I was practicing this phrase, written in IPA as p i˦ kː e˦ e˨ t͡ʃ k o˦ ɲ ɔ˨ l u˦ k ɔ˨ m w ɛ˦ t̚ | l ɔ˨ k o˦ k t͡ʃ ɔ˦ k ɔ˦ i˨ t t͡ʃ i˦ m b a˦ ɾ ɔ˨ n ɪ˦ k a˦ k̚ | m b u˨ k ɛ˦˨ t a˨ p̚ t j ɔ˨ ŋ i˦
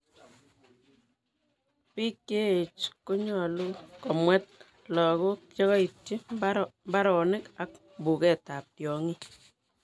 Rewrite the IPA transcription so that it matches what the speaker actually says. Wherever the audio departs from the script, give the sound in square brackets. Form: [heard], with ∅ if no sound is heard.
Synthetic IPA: p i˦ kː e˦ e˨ t͡ʃ k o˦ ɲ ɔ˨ l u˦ k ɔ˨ m w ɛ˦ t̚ | l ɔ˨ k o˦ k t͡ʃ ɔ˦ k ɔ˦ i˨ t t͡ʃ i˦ m b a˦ ɾ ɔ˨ n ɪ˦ k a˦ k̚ | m b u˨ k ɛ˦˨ t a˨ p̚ t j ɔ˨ ŋ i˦